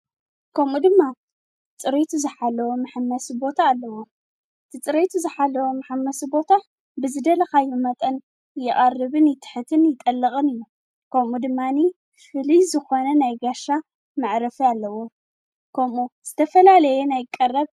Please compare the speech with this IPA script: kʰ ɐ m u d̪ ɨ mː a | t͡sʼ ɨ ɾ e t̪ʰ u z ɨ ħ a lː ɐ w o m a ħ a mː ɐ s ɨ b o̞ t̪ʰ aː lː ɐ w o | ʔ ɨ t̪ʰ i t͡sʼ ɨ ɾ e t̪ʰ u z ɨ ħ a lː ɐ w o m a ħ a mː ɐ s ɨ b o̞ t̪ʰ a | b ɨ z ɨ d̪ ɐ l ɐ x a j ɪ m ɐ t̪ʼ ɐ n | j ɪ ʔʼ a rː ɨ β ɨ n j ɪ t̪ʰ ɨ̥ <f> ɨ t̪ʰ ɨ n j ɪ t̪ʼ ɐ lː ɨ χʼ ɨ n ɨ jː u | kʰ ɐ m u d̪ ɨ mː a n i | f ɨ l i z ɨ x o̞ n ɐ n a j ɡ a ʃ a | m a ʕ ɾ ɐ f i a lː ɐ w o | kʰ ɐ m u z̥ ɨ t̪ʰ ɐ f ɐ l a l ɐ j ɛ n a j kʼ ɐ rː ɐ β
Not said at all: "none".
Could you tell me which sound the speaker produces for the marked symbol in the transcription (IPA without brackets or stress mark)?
ħ